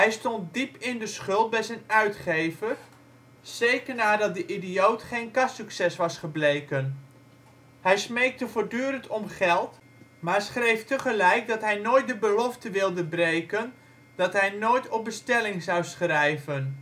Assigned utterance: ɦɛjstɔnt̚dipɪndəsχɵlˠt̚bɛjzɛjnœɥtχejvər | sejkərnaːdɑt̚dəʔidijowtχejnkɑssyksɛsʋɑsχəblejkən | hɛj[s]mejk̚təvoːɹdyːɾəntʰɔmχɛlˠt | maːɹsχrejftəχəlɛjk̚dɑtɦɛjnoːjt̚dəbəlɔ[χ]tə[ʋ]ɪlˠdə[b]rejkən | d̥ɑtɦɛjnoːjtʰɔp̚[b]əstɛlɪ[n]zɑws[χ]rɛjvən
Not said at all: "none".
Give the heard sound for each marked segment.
s, f, ʋ, b, b, ŋ, χ

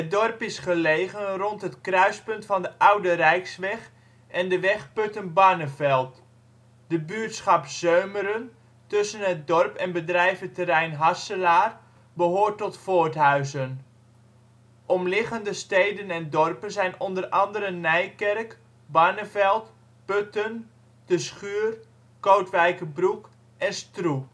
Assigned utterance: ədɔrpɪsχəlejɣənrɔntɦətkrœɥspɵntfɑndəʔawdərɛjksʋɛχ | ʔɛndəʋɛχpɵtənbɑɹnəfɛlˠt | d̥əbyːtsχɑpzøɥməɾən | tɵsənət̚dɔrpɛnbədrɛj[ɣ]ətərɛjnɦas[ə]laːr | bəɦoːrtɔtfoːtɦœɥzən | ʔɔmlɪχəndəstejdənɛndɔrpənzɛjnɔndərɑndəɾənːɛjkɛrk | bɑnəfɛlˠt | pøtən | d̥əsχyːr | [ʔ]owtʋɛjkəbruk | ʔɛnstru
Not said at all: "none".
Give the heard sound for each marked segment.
v, ə, k

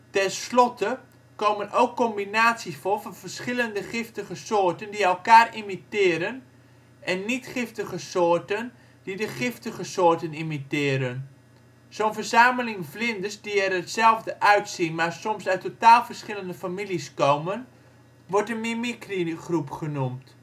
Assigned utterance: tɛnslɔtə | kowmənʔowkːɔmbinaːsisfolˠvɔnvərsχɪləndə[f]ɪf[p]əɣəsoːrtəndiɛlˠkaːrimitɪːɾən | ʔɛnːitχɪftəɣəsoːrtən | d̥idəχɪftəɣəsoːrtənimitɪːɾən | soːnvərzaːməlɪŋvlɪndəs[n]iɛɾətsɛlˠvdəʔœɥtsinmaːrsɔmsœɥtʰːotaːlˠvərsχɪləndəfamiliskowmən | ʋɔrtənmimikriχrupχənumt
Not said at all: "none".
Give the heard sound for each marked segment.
χ, t, d

